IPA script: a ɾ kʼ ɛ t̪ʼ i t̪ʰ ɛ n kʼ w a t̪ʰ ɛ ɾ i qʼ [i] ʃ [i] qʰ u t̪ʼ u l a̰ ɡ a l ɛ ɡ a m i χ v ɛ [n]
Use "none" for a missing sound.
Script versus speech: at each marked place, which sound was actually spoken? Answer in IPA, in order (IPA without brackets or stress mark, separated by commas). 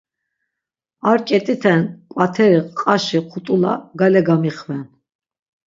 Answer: a, i, n